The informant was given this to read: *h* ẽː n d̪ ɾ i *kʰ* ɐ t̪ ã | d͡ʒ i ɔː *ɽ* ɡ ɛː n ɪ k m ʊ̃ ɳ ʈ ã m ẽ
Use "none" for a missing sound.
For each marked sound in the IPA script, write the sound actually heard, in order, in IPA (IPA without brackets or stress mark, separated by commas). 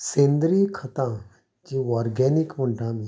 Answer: s, kʰ, ɾ